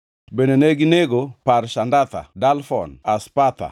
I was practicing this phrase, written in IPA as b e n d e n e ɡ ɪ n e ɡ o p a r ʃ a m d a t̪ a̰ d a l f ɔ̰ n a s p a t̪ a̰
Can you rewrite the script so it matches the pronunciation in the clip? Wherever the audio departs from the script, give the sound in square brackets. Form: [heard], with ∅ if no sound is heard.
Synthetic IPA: b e n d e n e ɡ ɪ n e ɡ o p a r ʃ a [n] d a t̪ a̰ d a l f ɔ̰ n a s p a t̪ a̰